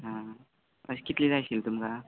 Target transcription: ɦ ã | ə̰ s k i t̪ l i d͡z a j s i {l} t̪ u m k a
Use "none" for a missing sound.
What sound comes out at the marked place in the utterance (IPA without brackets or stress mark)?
l